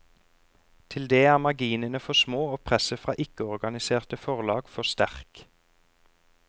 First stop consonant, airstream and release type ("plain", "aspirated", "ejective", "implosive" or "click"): aspirated